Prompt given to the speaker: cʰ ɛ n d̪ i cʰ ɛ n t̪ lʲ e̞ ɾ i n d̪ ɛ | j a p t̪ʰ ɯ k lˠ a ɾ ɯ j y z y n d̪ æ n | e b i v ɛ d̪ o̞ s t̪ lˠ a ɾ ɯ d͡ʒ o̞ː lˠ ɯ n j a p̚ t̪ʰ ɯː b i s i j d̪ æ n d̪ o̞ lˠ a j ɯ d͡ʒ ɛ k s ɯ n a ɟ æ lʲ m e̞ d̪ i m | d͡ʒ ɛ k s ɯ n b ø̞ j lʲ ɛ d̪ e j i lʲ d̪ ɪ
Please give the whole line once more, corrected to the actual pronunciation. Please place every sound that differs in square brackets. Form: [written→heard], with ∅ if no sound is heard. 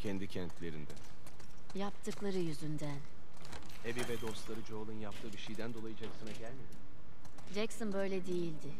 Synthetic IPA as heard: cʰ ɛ n d̪ i cʰ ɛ n t̪ lʲ e̞ ɾ i n d̪ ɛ | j a p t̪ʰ ɯ k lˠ a ɾ ɯ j y z y n d̪ æ n | e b i v ɛ d̪ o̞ s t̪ lˠ a ɾ ɯ d͡ʒ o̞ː lˠ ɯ n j a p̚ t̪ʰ ɯː b i [s→ʃ] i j d̪ æ n d̪ o̞ lˠ a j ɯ d͡ʒ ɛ k s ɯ n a ɟ æ lʲ m e̞ d̪ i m | d͡ʒ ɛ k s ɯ n b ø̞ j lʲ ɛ d̪ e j i lʲ d̪ ɪ